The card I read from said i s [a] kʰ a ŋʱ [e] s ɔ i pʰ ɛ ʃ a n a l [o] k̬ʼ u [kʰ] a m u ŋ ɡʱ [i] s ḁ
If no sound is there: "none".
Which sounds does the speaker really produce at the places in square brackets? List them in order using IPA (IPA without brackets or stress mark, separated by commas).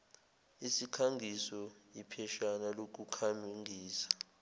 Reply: i, i, o, kʰ, iː